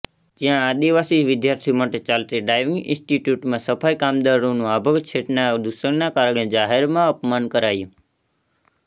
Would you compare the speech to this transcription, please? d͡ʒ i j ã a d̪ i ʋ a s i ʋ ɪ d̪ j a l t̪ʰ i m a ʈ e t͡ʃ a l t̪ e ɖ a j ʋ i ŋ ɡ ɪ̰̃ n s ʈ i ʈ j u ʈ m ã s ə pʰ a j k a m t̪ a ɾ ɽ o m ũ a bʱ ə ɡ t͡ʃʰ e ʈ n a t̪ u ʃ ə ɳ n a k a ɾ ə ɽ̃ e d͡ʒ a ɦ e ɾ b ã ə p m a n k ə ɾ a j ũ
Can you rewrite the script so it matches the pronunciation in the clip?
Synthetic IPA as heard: d͡ʒ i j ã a d̪ i ʋ a s i ʋ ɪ d̪ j a ɾ t̪ʰ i m a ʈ e t͡ʃ a l t̪ e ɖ a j ʋ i ŋ ɡ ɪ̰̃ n s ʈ i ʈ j u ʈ m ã s ə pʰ a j k a m d̪ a ɾ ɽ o n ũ a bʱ ə ɡ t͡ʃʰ e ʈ n a d̪ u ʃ ə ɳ n a k a ɾ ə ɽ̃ e d͡ʒ a ɦ e ɾ m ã ə p m a n k ə ɾ a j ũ